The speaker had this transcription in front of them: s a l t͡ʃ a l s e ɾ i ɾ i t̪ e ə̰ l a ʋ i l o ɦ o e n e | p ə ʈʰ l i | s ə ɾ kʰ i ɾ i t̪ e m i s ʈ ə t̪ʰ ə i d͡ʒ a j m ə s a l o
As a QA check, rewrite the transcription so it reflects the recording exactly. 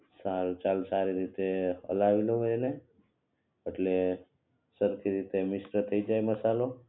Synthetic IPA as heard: s a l t͡ʃ a l s a ɾ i ɾ i t̪ e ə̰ l a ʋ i l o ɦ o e n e | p ə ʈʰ l e | s ə ɾ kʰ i ɾ i t̪ e m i s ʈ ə t̪ʰ ə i d͡ʒ a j m ə s a l o